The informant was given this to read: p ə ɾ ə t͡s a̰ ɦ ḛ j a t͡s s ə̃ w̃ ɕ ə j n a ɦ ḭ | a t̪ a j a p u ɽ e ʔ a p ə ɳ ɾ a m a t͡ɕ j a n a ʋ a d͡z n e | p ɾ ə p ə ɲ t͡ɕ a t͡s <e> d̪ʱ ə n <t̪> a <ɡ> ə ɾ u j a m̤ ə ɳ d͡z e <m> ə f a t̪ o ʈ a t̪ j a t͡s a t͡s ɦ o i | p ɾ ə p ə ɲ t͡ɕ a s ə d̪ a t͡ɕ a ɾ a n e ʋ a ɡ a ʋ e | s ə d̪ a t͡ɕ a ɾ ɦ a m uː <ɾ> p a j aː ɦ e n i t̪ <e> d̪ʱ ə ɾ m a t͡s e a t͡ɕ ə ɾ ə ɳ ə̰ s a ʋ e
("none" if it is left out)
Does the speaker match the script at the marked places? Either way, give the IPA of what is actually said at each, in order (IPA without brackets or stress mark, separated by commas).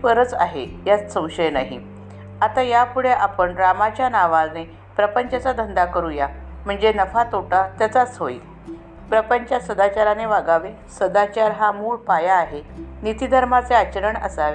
a, d̪, k, n, ɭ, i